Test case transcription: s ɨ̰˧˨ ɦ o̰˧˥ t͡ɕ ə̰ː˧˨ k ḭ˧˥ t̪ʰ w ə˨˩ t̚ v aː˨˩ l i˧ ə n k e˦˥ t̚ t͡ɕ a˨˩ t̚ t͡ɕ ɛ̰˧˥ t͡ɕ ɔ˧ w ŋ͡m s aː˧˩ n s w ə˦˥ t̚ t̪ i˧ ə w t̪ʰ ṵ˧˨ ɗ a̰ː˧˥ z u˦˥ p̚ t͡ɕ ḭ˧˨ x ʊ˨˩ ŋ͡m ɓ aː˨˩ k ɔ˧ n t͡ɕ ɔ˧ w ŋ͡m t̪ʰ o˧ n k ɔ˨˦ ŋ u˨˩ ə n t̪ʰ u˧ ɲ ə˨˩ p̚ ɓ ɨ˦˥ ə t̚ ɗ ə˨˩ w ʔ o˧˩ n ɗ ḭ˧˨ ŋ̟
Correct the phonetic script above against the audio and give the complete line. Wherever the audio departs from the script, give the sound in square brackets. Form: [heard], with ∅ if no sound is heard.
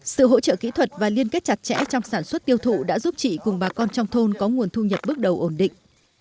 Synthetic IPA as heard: s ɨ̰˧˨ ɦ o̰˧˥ t͡ɕ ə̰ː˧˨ k ḭ˧˥ t̪ʰ w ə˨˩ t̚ v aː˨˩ l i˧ ə n k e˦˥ t̚ t͡ɕ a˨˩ t̚ t͡ɕ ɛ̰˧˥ t͡ɕ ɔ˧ w ŋ͡m s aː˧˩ n s w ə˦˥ t̚ t̪ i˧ ə w t̪ʰ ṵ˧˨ ɗ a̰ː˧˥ z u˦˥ p̚ t͡ɕ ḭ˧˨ [k] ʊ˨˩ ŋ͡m ɓ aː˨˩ k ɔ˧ n t͡ɕ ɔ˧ w ŋ͡m t̪ʰ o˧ n k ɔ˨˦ ŋ u˨˩ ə n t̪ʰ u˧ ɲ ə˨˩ p̚ ɓ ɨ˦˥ ə [k̚] ɗ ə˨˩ w ʔ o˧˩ n ɗ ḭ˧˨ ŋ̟

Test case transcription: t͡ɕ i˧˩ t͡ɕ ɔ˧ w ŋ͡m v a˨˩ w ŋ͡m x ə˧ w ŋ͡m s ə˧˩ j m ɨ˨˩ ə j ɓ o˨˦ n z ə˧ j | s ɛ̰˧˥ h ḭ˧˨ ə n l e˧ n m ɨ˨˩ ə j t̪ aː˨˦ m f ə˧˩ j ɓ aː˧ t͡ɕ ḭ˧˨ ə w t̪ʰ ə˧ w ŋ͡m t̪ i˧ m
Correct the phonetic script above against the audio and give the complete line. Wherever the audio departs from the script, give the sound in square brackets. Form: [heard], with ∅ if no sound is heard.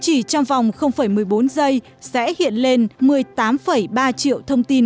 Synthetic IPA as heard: t͡ɕ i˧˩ t͡ɕ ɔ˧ w ŋ͡m v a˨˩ w ŋ͡m x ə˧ w ŋ͡m [f] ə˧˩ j m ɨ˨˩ ə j ɓ o˨˦ n z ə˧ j | s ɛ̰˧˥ h ḭ˧˨ ə n l e˧ n m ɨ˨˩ ə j t̪ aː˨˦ m f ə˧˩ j ɓ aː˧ t͡ɕ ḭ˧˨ ə w t̪ʰ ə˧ w ŋ͡m t̪ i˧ [n]

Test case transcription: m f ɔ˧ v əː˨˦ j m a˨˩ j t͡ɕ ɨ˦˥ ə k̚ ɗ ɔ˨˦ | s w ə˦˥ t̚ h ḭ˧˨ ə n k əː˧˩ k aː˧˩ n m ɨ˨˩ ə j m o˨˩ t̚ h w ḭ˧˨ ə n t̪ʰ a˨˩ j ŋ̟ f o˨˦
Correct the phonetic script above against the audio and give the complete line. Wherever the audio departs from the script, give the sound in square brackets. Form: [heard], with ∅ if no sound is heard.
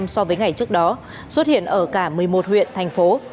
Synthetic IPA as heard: m [s] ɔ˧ v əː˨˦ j [ŋ] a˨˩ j t͡ɕ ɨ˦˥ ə k̚ ɗ ɔ˨˦ | s w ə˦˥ t̚ h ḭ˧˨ ə n [ʔ] əː˧˩ k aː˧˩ [∅] m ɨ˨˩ ə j m o˨˩ t̚ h w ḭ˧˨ ə n t̪ʰ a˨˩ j ŋ̟ f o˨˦

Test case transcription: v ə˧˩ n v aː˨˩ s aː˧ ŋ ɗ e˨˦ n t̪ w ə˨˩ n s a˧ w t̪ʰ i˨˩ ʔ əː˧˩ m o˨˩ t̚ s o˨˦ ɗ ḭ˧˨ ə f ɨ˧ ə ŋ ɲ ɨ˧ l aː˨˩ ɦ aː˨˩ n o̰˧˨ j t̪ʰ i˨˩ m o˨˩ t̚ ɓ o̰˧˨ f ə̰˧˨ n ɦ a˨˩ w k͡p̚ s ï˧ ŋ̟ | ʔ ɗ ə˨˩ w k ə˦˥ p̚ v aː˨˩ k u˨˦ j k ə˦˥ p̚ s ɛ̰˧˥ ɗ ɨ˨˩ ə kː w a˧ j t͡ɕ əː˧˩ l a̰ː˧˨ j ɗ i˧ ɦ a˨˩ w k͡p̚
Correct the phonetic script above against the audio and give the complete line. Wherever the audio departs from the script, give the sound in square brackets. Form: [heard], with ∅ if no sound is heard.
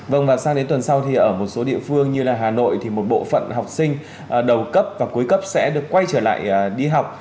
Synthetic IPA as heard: v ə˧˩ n v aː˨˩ s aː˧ ŋ ɗ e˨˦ n t̪ w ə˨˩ n s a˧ w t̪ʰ i˨˩ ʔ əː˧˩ m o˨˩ t̚ s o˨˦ ɗ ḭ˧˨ ə f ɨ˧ ə ŋ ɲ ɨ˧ l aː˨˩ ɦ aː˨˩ n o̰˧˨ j t̪ʰ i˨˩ m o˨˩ t̚ ɓ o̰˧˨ f ə̰˧˨ n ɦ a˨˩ w k͡p̚ s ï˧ ŋ̟ | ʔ ɗ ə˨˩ w k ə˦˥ p̚ v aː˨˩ k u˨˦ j k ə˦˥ p̚ s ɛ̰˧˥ ɗ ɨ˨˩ ə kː w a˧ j t͡ɕ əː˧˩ l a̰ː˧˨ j ɗ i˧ ɦ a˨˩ w k͡p̚

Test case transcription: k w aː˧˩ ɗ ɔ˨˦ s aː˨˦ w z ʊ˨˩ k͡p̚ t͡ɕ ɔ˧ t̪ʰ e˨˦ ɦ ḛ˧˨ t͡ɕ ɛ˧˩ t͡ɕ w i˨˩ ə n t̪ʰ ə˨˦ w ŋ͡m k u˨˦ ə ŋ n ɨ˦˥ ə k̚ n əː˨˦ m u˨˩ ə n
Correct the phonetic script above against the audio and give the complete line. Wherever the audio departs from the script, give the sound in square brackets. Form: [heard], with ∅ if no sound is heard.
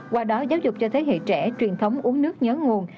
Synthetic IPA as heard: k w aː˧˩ ɗ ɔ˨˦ [z] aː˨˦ w z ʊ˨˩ k͡p̚ t͡ɕ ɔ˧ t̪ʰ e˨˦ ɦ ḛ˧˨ t͡ɕ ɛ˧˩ t͡ɕ w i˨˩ ə n t̪ʰ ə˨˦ w ŋ͡m [ʔ] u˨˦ ə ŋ n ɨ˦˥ ə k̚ [ɲ] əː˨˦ [ŋ] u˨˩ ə n

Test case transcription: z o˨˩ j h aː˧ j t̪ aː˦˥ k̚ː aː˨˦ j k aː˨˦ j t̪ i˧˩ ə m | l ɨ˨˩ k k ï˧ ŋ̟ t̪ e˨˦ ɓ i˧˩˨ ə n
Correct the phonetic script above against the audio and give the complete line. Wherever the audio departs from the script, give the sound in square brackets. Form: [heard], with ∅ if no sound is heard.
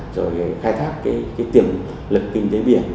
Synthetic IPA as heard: z o˨˩ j [x] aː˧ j [t̪ʰ] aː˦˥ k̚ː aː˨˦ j k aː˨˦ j t̪ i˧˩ ə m | l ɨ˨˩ k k ï˧ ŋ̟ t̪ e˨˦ ɓ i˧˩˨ ə n

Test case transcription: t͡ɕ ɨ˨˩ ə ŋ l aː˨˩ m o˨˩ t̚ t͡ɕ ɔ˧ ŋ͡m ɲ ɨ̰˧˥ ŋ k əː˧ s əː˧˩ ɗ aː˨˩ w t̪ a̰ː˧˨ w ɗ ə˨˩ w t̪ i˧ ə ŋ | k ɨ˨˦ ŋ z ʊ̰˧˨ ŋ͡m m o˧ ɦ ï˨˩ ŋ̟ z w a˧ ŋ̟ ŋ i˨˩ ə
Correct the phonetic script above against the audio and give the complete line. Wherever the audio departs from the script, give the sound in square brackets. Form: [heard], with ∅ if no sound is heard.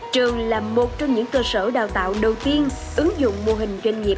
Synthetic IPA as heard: t͡ɕ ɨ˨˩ ə ŋ l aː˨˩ m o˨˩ t̚ t͡ɕ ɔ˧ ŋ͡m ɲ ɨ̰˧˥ ŋ k əː˧ s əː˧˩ ɗ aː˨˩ w t̪ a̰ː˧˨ w ɗ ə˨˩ w t̪ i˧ ə [n] | [ʔ] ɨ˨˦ ŋ z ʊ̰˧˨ ŋ͡m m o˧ ɦ ï˨˩ ŋ̟ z w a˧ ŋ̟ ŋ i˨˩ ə

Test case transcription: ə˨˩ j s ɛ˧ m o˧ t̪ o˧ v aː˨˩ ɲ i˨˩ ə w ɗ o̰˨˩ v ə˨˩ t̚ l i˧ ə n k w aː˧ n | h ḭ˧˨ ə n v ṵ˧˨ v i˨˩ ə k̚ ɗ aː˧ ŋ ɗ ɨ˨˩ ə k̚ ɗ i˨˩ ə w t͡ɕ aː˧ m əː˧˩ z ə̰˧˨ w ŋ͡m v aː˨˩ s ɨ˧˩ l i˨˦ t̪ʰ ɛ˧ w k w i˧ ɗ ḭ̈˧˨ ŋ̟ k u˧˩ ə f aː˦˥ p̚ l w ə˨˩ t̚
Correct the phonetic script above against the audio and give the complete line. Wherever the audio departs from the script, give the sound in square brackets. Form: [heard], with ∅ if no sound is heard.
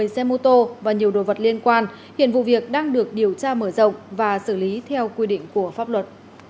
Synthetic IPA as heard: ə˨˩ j s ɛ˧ m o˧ t̪ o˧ v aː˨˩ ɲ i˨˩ ə w ɗ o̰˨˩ v ə˨˩ t̚ l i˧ ə n k w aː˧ n | h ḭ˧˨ ə n v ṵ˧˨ v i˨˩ ə k̚ ɗ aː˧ ŋ ɗ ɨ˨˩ ə k̚ ɗ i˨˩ ə w t͡ɕ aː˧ m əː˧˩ z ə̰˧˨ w ŋ͡m v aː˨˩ s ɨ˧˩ l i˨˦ t̪ʰ ɛ˧ w k w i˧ ɗ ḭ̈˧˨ ŋ̟ k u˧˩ ə f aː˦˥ p̚ l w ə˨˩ t̚

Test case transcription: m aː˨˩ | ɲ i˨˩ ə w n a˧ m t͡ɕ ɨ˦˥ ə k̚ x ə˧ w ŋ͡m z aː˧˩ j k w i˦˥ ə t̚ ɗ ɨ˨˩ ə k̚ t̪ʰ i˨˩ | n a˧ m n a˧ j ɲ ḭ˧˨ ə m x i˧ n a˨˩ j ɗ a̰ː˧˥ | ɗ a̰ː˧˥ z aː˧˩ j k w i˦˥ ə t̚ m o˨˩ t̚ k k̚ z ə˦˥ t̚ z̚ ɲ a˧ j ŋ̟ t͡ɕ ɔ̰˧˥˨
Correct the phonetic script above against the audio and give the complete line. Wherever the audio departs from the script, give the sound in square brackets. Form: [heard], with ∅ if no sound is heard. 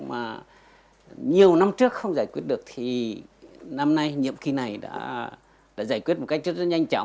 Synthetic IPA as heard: m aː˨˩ | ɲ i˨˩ ə w n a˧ m t͡ɕ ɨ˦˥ ə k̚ x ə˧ w ŋ͡m z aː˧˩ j k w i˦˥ ə t̚ ɗ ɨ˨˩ ə k̚ t̪ʰ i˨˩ | n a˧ m n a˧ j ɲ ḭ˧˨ ə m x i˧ n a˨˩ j ɗ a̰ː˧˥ | ɗ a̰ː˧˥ z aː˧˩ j k w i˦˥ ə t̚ m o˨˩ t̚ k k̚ z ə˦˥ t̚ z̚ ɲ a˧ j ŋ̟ t͡ɕ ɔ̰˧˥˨

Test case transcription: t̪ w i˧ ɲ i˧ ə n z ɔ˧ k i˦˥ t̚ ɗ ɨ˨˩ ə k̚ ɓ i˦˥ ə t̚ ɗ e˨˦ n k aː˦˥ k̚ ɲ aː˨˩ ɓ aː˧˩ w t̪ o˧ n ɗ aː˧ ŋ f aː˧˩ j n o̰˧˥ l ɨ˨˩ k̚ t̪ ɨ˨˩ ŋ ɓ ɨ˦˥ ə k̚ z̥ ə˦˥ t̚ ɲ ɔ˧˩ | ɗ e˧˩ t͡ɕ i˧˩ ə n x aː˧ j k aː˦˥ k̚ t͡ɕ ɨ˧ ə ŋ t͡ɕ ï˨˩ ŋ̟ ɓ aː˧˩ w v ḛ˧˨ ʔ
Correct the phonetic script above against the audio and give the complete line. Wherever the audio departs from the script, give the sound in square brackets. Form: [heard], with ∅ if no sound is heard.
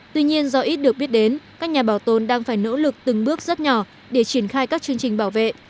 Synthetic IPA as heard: t̪ w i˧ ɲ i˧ ə n z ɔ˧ [ʔ] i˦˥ t̚ ɗ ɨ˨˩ ə k̚ ɓ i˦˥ ə t̚ ɗ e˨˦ n k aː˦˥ k̚ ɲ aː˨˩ ɓ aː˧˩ w t̪ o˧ n ɗ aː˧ ŋ f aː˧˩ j n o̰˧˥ l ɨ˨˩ k̚ t̪ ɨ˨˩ ŋ ɓ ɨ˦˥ ə k̚ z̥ ə˦˥ t̚ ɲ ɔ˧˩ | ɗ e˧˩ t͡ɕ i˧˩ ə n x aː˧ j k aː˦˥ k̚ t͡ɕ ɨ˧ ə ŋ t͡ɕ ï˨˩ ŋ̟ ɓ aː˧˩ w v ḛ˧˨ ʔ

